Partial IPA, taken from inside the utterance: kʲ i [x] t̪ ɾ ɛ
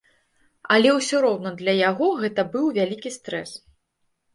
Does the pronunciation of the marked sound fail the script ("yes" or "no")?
yes